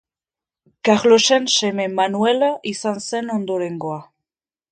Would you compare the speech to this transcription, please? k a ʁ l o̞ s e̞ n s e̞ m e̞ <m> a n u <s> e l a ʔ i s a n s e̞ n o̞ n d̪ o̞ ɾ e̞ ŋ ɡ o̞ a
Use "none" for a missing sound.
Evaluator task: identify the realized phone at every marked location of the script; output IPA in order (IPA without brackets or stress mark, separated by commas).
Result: m, none